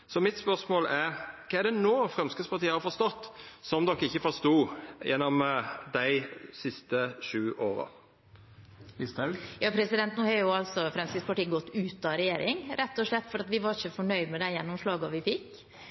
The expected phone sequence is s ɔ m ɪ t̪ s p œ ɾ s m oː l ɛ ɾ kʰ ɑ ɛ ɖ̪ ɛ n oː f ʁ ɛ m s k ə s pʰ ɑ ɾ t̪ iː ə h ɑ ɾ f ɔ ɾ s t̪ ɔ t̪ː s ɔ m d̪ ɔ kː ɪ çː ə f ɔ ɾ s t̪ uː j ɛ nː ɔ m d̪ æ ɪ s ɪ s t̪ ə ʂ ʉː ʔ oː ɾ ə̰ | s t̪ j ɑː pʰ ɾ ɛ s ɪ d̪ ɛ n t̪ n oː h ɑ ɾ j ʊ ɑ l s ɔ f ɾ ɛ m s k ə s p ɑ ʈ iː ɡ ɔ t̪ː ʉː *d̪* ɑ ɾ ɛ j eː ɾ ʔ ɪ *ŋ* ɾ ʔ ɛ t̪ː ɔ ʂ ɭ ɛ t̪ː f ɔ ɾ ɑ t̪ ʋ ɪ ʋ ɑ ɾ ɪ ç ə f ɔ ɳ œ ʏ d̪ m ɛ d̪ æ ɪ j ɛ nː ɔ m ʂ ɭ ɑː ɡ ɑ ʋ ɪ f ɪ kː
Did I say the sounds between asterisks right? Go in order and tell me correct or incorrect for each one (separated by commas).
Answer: incorrect, correct